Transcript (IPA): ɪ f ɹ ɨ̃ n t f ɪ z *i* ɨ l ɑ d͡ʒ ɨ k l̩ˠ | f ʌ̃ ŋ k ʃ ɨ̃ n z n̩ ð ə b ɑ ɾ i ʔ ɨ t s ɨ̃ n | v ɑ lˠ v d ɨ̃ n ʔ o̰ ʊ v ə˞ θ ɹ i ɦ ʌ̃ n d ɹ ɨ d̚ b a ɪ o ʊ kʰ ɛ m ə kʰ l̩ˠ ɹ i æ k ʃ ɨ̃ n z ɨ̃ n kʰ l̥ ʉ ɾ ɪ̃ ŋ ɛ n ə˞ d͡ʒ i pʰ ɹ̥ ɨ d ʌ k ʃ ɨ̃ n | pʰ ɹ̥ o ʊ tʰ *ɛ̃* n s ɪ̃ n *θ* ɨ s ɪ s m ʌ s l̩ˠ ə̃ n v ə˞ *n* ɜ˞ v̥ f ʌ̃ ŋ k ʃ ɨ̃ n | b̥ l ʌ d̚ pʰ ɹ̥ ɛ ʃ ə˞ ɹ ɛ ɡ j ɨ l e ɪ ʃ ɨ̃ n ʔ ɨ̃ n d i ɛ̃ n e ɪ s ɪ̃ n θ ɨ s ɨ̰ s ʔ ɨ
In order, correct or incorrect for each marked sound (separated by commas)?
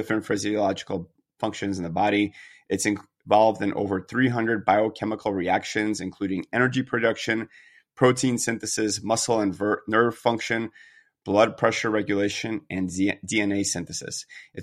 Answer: correct, incorrect, correct, correct